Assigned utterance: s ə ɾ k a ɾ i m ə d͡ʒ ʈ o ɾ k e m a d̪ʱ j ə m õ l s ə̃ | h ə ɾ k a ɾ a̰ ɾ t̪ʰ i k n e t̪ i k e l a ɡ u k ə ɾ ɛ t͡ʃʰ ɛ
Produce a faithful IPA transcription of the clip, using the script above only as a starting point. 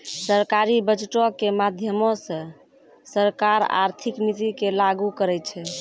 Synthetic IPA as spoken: s ə ɾ k a ɾ i b ə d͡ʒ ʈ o k e m a d̪ʱ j ə m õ s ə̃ | s ə ɾ k a ɾ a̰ ɾ t̪ʰ i k n i t̪ i k e l a ɡ u k ə ɾ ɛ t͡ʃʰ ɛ